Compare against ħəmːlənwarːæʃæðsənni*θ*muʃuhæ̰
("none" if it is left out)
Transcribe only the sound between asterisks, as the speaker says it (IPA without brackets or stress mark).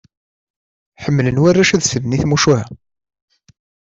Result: θ